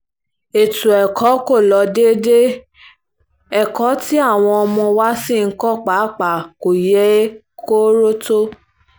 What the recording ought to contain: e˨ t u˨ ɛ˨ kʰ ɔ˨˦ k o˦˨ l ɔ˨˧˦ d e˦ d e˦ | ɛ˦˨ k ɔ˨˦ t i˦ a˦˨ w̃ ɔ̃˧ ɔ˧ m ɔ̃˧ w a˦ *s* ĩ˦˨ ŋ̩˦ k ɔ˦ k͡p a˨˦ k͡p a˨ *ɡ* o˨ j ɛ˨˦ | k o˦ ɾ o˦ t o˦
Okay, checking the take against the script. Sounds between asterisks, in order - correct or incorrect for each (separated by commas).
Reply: correct, incorrect